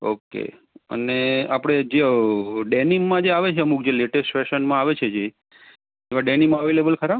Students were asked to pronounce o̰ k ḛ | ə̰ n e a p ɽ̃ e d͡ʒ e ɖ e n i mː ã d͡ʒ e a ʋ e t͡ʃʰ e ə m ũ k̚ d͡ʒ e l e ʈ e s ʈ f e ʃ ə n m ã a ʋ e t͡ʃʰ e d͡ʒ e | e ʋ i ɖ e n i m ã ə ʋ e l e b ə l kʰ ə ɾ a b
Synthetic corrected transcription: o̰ k ḛ | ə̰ n e a p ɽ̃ e d͡ʒ e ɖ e n i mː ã d͡ʒ e a ʋ e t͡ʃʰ e ə m u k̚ d͡ʒ e l e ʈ e s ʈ f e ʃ ə n m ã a ʋ e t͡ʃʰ e d͡ʒ e | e ʋ a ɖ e n i m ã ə ʋ e l e b ə l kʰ ə ɾ a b